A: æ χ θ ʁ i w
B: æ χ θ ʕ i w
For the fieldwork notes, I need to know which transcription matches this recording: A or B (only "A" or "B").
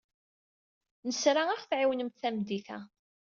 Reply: B